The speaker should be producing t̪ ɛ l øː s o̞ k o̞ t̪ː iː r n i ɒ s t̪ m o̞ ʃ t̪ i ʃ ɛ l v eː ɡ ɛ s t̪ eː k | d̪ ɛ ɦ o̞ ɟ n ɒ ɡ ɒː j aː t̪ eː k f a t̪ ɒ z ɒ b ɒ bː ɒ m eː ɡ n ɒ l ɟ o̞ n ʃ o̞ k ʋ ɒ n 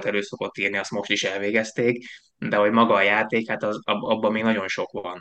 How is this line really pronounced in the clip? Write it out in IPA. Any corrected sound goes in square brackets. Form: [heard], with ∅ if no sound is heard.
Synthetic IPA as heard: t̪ ɛ l øː s o̞ k o̞ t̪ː iː r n i ɒ s t̪ m o̞ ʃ t̪ i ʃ ɛ l v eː ɡ ɛ s t̪ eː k | d̪ ɛ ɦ o̞ ɟ [m] ɒ ɡ ɒː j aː t̪ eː k [h] a t̪ ɒ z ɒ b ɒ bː ɒ m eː ɡ n ɒ [∅] ɟ o̞ n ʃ o̞ k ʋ ɒ n